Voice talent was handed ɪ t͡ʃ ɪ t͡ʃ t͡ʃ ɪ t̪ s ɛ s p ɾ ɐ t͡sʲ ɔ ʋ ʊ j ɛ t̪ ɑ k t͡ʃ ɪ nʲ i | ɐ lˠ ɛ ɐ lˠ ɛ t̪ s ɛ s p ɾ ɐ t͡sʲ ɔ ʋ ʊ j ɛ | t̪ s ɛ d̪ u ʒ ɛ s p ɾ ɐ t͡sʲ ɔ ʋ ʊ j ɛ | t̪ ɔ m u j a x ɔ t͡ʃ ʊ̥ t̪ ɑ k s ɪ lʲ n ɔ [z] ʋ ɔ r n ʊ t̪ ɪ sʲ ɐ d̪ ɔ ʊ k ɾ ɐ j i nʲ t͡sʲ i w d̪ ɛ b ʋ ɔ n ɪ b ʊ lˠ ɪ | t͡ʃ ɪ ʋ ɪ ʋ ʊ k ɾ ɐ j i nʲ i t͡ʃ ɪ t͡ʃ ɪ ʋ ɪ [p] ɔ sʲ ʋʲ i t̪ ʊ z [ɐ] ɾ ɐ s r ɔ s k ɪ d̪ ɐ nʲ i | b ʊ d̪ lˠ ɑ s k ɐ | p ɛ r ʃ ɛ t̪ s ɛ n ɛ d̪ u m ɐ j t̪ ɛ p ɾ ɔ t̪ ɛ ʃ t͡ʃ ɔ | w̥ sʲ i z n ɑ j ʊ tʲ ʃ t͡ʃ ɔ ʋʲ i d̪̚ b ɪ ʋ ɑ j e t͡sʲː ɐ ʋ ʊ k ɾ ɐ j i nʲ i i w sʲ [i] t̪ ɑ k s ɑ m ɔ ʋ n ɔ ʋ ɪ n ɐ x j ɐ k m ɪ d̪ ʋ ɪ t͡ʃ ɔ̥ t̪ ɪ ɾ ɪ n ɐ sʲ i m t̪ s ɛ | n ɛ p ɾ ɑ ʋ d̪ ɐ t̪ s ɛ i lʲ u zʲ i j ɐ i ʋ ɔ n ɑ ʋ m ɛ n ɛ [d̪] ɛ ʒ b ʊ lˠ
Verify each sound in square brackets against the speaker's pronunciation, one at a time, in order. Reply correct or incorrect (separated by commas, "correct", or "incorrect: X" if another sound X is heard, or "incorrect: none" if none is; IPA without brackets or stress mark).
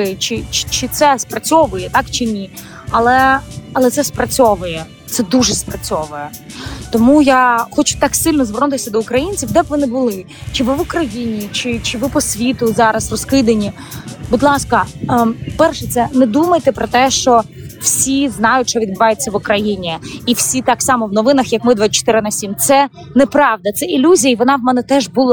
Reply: correct, correct, incorrect: ɑ, correct, incorrect: t̪